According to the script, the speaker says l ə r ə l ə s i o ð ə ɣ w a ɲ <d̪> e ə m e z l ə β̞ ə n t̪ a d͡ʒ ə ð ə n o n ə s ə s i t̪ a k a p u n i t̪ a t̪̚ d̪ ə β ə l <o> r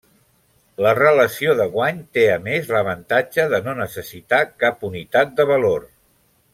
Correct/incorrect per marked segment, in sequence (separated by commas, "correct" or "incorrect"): incorrect, correct